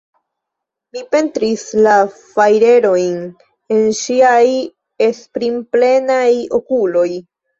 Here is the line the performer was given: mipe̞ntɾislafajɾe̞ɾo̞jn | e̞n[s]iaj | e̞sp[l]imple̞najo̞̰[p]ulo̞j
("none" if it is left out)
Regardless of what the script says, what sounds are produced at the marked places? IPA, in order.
ʃ, ɾ, k

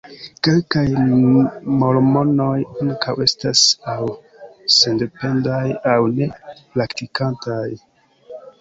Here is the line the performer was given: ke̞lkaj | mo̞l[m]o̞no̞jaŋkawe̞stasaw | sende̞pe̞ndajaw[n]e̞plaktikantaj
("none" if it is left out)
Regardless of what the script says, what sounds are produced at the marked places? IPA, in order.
m, n

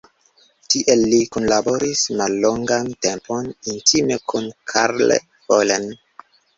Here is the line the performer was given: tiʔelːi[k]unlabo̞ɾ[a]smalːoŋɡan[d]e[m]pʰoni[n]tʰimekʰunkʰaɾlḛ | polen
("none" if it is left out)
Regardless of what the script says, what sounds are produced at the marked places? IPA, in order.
k, i, t, m, n

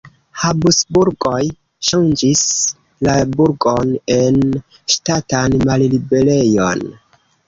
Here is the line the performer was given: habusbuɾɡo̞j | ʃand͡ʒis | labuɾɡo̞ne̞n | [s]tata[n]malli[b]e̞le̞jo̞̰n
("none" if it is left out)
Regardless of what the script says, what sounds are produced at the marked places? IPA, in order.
ʃ, n, b

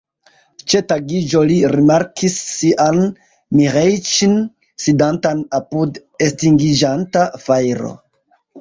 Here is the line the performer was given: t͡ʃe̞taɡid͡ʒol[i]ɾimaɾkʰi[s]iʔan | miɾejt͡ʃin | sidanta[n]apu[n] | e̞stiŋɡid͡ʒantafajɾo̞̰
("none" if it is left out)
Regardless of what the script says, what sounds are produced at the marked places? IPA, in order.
i, sː, n, d

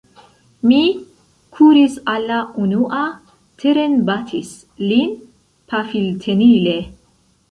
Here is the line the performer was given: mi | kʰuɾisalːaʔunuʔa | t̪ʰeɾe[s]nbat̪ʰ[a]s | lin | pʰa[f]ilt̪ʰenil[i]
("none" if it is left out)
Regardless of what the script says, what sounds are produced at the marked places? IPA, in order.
none, i, f, e

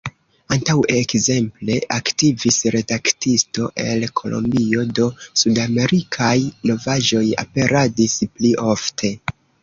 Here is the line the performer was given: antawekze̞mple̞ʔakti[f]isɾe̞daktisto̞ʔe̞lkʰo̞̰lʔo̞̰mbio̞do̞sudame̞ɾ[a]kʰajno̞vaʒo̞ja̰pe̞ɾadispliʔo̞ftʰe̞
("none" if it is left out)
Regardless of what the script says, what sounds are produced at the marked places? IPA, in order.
v, i

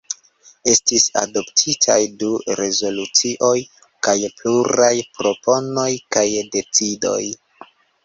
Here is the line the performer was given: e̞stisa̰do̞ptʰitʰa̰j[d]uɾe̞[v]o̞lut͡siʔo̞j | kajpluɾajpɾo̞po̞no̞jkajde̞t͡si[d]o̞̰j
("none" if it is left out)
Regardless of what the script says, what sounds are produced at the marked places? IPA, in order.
d, z, d

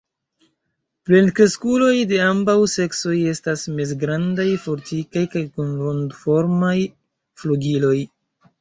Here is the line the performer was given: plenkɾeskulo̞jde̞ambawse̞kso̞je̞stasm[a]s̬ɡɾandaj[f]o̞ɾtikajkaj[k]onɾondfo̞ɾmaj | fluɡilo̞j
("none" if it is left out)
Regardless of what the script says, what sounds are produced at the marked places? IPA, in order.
e, f, k

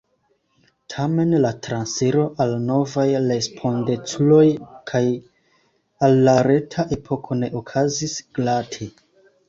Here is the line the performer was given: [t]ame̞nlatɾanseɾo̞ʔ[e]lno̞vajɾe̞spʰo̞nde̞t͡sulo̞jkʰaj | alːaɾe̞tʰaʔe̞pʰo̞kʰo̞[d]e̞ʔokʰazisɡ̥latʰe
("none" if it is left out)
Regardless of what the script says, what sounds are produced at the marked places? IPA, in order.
tʰ, a, n

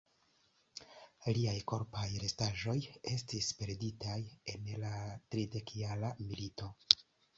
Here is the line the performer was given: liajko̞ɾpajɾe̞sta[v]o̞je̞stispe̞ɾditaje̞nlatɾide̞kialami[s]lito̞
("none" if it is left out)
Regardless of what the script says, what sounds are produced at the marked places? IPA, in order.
ʒ, none

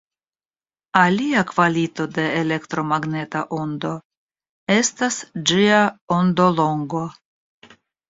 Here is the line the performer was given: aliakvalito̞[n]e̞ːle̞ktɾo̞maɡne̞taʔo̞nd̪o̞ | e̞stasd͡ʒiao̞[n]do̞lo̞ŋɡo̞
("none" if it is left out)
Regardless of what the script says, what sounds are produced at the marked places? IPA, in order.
d, n

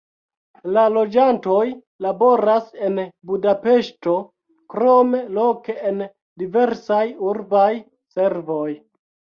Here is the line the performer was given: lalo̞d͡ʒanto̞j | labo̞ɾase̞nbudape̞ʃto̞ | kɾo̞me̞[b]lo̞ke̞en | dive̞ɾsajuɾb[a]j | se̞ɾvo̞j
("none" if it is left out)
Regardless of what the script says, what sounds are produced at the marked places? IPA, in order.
none, a

